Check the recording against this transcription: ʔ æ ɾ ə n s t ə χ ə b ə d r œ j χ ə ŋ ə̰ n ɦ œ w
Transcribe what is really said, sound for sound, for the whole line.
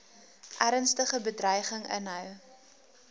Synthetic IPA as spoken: ʔ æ ɾ ə n s t ə χ ə b ə d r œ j χ ə ŋ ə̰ n ɦ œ w